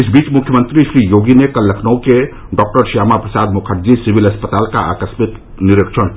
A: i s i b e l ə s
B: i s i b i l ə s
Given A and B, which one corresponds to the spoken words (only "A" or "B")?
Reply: B